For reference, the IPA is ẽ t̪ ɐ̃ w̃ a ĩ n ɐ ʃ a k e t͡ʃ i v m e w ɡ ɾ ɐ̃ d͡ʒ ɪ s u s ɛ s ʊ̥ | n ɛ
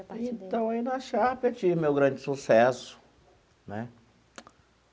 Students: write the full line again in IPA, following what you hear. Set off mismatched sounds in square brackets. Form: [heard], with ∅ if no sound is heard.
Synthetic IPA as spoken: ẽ t̪ ɐ̃ w̃ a [i] n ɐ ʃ a [p] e t͡ʃ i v m e w ɡ ɾ ɐ̃ d͡ʒ ɪ s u s ɛ s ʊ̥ | n ɛ